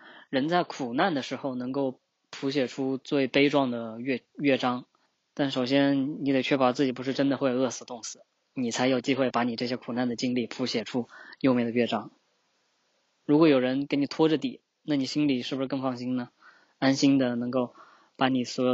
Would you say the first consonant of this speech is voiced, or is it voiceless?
voiced